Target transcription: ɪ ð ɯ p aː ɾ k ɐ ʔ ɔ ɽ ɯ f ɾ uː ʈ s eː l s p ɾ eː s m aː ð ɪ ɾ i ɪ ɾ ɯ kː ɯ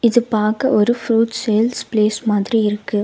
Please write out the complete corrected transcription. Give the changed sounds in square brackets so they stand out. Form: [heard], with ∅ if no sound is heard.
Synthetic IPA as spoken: ɪ ð ɯ p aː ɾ k ɐ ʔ ɔ [ɾ] ɯ f ɾ uː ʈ s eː l s p [l] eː s m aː ð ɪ ɾ i ɪ ɾ ɯ kː ɯ